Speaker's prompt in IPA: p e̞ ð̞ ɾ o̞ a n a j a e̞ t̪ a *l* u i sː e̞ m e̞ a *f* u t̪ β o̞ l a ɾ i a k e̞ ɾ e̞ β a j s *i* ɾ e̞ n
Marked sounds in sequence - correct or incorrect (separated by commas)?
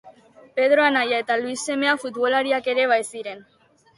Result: correct, correct, correct